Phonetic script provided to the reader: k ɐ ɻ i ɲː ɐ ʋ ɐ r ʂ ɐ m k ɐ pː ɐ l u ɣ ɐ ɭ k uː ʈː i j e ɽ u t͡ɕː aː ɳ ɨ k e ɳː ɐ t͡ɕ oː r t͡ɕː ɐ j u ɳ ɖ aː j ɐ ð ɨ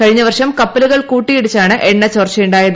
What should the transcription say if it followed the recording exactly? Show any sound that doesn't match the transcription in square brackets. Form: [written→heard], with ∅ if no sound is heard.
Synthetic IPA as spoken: k ɐ ɻ i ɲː ɐ ʋ ɐ r ʂ ɐ m k ɐ pː ɐ l u ɣ ɐ ɭ k uː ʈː i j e ɽ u t͡ɕː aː ɳ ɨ [k→ʔ] e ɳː ɐ t͡ɕ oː r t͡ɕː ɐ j u ɳ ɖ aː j ɐ ð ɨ